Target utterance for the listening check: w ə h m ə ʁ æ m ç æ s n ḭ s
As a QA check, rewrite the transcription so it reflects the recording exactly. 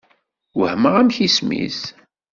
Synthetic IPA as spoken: w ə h m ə ʁ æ m ç i s m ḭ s